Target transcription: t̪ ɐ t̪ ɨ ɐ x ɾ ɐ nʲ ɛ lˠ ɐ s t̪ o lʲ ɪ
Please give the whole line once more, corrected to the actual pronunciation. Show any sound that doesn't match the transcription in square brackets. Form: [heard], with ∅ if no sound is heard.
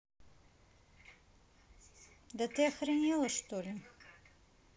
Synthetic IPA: [d̪] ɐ t̪ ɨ ɐ x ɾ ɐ nʲ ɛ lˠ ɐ [ʂ] t̪ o lʲ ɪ